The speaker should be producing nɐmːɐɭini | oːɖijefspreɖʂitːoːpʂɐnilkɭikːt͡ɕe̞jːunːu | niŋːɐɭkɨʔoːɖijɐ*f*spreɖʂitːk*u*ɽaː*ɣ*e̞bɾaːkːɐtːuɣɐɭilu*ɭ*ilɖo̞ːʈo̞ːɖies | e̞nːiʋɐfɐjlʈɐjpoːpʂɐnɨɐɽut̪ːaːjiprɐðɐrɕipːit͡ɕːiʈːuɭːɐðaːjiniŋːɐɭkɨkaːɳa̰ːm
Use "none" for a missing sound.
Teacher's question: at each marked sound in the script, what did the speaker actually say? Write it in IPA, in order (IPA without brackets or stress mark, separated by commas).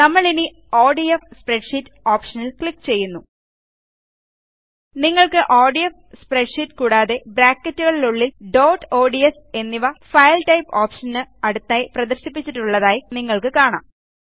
f, uː, ð, ɭː